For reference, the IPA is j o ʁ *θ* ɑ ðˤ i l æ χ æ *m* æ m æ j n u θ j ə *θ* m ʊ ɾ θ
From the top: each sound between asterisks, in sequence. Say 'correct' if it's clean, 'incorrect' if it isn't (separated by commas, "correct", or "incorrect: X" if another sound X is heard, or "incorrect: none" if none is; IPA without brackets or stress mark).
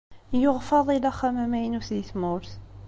incorrect: f, correct, correct